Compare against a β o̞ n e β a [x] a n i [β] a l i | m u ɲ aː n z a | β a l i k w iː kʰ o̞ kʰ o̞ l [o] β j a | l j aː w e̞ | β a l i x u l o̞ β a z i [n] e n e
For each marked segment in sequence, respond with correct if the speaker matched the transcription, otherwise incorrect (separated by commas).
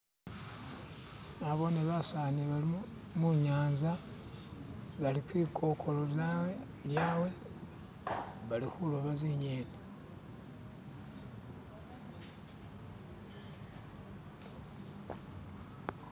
incorrect, correct, correct, incorrect